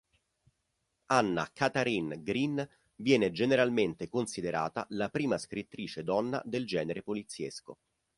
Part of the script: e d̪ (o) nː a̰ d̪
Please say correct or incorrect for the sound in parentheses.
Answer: incorrect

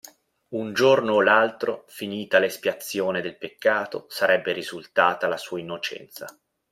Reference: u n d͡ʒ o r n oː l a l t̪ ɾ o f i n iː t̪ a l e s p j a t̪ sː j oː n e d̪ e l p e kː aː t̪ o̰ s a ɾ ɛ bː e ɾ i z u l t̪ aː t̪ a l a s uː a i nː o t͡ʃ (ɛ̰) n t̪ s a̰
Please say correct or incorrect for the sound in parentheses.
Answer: correct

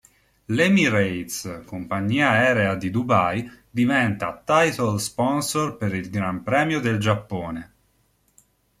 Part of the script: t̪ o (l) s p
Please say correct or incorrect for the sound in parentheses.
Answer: correct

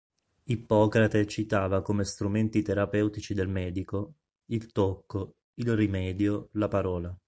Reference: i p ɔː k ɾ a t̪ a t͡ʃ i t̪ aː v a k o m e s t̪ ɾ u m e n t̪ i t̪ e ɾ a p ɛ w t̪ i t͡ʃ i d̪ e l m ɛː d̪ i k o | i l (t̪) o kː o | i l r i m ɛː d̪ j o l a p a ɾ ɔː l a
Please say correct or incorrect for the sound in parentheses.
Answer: correct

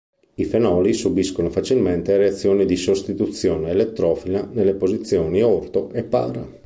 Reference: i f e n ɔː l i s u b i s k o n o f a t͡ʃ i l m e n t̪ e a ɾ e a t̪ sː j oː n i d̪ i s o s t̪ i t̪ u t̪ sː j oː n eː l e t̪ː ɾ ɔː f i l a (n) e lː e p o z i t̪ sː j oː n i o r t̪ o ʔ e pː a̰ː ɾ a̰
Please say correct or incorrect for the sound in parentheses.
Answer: correct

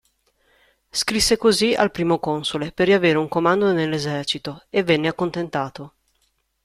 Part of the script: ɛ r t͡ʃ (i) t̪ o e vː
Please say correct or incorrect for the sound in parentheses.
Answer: correct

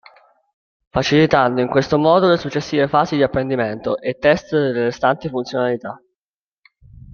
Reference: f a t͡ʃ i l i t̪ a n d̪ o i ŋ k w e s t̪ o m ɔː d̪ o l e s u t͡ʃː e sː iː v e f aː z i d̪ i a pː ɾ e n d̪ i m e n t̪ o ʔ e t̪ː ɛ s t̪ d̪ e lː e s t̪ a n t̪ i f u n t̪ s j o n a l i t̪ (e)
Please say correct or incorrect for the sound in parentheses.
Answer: incorrect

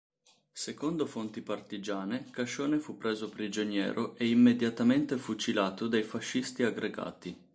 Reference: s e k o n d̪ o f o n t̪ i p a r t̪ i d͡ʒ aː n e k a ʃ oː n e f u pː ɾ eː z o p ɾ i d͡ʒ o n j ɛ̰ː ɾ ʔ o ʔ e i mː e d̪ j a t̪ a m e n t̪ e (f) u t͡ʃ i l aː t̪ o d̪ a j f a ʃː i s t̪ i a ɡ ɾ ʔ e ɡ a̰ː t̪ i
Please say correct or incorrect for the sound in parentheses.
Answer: correct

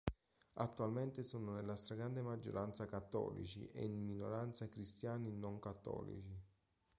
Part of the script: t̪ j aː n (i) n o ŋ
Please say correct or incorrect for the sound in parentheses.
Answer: correct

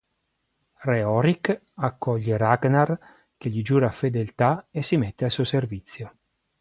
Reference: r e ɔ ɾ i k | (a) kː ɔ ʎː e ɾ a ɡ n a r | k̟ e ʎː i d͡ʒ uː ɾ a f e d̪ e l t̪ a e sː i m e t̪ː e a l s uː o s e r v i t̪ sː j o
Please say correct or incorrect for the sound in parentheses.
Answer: correct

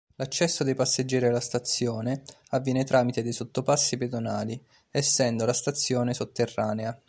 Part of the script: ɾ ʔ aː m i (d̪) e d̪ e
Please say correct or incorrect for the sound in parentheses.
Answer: incorrect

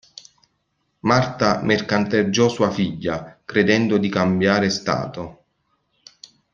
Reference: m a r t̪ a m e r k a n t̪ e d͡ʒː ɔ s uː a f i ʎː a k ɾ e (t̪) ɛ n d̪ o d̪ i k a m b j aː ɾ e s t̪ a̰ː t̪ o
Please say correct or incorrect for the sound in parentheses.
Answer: incorrect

